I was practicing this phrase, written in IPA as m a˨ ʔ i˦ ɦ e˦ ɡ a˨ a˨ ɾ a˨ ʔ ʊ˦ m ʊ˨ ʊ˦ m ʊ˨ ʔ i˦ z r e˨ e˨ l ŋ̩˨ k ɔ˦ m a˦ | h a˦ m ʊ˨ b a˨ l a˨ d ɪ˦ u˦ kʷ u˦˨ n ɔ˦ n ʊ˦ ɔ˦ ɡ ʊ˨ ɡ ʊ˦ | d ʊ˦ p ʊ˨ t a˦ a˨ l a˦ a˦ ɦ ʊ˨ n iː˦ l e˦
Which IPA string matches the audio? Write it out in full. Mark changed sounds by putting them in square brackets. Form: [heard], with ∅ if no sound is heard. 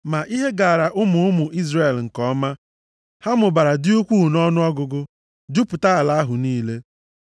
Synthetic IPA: m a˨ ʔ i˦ ɦ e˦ ɡ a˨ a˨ ɾ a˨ ʔ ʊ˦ m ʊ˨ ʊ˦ m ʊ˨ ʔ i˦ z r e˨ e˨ l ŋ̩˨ k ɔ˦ m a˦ | h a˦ m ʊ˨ b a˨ [ɾ] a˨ d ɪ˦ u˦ kʷ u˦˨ n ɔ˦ n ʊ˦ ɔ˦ ɡ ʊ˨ ɡ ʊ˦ | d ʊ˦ p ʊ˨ t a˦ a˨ l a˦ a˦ ɦ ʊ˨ n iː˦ l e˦